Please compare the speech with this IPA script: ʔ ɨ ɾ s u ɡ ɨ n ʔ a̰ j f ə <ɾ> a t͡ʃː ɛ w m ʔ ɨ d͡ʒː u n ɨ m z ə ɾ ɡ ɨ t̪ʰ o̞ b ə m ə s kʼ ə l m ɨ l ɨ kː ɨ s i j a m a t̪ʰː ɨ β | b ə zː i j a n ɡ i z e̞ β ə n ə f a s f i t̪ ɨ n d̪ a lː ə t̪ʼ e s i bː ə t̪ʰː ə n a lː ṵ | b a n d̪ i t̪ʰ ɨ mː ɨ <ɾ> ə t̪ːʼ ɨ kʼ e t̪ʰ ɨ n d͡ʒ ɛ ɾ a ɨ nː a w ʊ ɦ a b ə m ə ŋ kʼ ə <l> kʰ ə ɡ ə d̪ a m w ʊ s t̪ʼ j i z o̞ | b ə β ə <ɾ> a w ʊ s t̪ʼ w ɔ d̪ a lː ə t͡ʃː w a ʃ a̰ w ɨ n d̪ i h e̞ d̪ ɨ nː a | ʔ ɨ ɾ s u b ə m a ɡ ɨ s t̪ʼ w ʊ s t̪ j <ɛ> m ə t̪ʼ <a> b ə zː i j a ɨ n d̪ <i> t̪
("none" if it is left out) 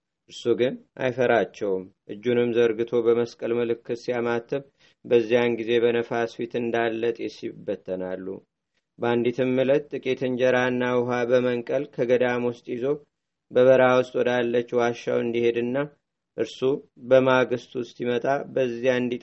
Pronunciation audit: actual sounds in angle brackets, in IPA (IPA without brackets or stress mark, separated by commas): ɾ, l, l, ɾ, i, a, i